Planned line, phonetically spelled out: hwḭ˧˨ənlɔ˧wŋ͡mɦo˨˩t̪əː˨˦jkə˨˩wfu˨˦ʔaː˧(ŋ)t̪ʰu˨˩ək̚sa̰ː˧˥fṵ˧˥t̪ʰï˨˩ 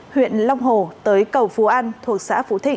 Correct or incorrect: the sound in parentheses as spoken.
incorrect: n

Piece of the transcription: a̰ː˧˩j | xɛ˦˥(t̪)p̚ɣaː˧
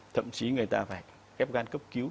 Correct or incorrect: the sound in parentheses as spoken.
incorrect: none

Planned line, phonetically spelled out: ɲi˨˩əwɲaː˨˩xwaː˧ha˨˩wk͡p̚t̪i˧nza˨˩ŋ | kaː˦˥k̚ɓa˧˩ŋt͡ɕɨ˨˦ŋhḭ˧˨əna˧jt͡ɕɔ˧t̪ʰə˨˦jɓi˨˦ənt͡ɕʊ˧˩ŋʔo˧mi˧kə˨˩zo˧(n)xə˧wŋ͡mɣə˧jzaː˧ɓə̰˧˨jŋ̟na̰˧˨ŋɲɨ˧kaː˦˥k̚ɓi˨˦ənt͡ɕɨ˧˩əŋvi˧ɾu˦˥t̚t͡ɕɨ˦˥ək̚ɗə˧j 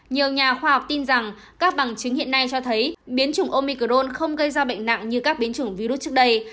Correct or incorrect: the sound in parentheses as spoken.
correct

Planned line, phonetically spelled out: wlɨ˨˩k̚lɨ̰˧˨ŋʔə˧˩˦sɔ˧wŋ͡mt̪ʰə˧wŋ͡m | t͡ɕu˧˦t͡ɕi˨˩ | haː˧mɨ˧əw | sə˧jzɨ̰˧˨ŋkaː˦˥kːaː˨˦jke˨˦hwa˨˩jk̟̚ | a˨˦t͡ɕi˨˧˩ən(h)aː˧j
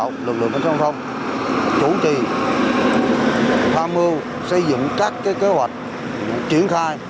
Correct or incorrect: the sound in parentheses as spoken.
incorrect: x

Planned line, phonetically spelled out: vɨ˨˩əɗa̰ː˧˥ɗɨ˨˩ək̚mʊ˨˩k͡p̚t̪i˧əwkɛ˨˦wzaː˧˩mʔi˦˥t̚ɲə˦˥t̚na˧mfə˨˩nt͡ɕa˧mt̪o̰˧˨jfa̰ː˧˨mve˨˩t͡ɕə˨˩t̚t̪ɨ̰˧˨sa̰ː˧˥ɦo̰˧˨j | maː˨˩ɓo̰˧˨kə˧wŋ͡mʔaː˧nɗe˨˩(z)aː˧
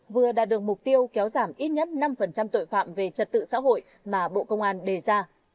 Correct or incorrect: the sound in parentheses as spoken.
correct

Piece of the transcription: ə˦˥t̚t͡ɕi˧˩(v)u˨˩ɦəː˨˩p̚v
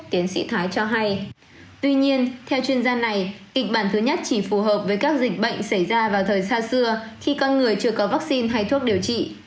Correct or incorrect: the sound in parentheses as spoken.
incorrect: f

